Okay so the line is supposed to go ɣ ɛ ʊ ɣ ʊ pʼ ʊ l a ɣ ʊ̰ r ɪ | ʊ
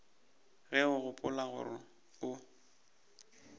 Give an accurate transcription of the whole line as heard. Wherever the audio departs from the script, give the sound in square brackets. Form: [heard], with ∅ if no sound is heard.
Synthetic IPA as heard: ɣ ɛ ʊ ɣ ʊ pʼ ʊ l a ɣ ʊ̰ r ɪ | ʊ